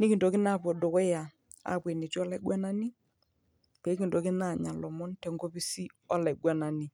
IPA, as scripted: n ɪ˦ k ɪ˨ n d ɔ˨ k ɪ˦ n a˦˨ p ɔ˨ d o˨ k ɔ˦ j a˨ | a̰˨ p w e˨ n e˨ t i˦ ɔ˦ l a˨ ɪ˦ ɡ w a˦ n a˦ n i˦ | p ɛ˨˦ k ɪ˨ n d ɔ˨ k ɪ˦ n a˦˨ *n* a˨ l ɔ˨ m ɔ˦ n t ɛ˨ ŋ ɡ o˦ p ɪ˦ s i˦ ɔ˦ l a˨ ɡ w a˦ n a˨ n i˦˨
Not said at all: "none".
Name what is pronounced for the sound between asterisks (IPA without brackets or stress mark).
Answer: ɲ